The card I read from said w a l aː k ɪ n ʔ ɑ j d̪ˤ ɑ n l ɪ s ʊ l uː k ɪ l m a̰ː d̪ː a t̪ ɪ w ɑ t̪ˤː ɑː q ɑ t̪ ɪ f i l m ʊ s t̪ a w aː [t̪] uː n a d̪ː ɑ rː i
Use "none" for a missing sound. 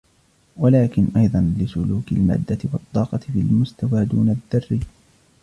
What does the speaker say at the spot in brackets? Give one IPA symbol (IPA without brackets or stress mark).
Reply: d̪